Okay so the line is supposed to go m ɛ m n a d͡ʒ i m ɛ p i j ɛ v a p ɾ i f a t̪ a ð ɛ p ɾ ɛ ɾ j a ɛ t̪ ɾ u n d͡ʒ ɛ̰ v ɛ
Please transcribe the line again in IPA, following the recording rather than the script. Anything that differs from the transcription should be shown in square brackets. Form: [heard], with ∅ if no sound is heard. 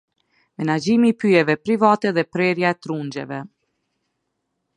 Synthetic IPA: m ɛ [∅] n a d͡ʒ i m [i] p [y] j ɛ v [ɛ] p ɾ i [v] a t̪ [ɛ] ð ɛ p ɾ ɛ ɾ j a ɛ t̪ ɾ u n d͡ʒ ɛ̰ v ɛ